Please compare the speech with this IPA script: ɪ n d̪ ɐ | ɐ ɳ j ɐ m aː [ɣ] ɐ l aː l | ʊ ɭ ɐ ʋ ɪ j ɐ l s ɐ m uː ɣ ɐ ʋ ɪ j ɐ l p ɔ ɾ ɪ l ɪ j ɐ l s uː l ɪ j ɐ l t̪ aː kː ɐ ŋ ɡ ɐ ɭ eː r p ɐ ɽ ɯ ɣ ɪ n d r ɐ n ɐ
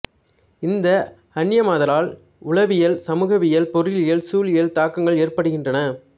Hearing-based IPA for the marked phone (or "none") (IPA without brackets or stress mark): ð